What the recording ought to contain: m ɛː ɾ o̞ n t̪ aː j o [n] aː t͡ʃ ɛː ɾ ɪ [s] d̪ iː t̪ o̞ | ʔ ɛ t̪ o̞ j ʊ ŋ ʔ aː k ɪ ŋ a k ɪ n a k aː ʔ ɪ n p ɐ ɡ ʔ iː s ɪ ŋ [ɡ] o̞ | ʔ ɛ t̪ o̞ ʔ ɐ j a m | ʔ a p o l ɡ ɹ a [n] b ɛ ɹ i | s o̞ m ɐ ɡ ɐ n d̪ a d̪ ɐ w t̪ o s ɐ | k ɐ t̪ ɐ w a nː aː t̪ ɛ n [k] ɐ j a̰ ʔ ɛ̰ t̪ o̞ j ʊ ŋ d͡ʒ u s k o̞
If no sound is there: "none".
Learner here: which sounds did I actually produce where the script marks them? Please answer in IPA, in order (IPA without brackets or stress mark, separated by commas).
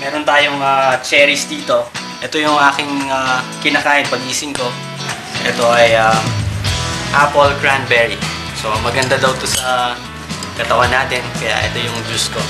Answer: ŋ, s, k, n, k